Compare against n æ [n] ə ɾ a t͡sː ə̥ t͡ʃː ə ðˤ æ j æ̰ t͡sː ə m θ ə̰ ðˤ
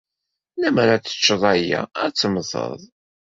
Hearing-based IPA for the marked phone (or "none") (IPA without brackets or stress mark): m